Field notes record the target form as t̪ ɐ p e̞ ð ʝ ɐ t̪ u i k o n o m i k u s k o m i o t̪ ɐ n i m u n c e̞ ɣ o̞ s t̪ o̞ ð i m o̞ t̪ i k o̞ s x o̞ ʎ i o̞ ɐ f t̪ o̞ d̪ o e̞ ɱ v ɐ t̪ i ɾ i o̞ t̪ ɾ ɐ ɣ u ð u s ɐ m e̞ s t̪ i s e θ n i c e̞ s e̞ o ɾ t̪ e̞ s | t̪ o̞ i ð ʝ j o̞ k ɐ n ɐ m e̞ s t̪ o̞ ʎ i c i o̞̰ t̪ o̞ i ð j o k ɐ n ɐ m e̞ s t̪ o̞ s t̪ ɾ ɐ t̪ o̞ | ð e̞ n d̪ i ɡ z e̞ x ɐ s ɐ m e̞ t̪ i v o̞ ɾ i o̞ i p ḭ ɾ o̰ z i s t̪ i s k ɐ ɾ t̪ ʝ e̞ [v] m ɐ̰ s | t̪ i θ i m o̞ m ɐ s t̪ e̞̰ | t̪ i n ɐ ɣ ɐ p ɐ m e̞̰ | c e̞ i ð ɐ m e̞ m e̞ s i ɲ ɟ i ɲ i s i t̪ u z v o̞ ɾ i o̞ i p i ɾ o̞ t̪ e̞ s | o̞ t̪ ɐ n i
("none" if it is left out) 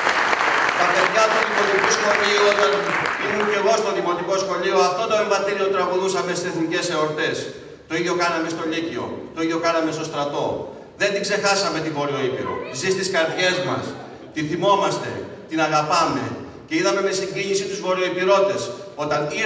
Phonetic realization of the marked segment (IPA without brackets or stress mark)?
z